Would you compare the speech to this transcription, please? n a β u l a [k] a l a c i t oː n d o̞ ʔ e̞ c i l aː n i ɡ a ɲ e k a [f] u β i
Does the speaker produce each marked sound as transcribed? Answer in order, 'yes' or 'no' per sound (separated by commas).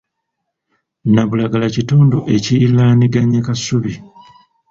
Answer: no, no